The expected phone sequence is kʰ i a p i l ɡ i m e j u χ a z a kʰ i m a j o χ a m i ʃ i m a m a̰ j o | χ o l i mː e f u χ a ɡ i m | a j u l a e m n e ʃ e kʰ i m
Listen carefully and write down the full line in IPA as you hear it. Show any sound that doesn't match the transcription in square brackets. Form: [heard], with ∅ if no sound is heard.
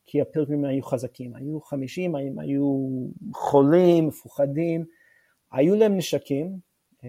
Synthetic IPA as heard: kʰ i a p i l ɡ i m [a] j u χ a z a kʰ i m a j [u] χ a m i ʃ i m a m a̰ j [u] | χ o l i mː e f u χ a [d] i m | a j u l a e m n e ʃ [a] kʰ i m